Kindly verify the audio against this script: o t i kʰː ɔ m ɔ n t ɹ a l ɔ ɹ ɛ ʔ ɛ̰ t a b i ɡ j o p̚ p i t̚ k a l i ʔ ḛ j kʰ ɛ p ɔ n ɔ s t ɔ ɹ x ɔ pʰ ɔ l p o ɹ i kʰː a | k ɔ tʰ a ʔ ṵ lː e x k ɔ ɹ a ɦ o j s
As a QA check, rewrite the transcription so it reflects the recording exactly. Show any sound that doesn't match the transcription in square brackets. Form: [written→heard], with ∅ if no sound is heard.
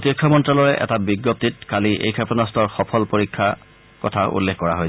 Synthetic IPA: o t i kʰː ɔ m ɔ n t ɹ a l ɔ ɹ ɛ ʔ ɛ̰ t a b i ɡ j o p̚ [p→t] i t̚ k a l i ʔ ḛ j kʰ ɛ p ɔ n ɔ s t ɔ ɹ x ɔ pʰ ɔ l p o ɹ i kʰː a | k ɔ tʰ a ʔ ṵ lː e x k ɔ ɹ a ɦ o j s